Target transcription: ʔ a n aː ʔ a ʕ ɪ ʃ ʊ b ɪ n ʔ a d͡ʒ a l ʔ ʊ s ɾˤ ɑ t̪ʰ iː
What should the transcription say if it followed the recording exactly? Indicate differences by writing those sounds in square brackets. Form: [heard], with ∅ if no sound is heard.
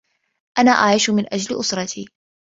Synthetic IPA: ʔ a n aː ʔ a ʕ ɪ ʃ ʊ [m] ɪ n ʔ a d͡ʒ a l ʔ ʊ s ɾˤ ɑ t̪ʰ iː